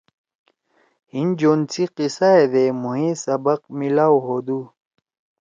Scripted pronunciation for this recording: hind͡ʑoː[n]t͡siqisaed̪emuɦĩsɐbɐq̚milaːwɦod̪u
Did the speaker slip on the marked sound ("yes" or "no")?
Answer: no